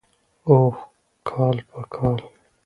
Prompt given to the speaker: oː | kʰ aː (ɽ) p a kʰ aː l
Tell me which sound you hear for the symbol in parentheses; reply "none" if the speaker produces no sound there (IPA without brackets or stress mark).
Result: l